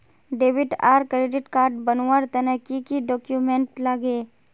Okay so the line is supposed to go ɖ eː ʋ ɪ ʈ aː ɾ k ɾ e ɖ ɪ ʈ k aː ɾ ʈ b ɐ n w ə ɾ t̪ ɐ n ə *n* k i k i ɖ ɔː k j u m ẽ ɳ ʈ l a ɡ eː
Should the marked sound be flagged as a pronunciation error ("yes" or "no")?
yes